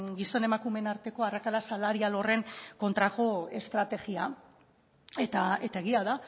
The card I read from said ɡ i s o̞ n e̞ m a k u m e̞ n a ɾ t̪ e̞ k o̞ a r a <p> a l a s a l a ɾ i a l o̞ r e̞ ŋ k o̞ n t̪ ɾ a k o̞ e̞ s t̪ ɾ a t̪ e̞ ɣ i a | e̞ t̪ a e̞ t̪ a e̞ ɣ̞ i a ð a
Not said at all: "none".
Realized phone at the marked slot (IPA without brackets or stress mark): k